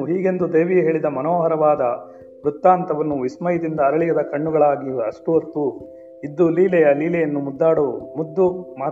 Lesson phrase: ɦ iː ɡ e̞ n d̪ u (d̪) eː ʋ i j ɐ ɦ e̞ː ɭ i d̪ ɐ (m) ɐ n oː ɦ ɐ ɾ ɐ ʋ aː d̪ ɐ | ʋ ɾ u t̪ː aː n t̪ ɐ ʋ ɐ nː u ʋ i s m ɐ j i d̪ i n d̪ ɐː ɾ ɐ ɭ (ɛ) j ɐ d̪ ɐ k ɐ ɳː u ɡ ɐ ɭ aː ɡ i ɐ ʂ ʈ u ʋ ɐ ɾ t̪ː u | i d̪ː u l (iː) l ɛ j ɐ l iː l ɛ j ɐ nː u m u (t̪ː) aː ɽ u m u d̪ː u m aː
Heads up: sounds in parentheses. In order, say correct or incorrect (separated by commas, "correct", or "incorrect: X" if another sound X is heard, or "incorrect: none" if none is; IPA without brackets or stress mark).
correct, correct, incorrect: i, correct, incorrect: d̪ː